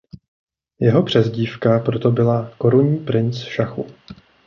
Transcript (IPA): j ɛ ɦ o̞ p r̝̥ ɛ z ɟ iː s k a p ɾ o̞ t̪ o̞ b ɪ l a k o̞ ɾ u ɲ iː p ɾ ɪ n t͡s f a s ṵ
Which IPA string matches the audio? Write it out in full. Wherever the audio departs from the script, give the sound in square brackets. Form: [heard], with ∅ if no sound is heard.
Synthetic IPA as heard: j ɛ ɦ o̞ p r̝̥ ɛ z ɟ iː [f] k a p ɾ o̞ t̪ o̞ b ɪ l a k o̞ ɾ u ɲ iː p ɾ ɪ n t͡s [ʃ] a [x] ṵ